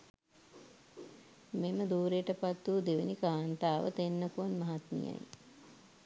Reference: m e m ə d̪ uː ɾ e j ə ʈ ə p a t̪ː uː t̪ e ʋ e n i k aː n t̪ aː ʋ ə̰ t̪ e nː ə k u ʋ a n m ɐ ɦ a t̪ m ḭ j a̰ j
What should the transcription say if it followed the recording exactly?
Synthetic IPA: m e m ə d̪ uː ɾ e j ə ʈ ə p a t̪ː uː d̪ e ʋ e n i k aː n t̪ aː ʋ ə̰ t̪ e nː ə k u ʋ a n m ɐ ɦ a t̪ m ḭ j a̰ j